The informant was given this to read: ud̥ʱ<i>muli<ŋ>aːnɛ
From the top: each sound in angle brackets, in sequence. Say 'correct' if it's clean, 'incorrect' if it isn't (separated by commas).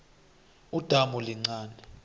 incorrect, incorrect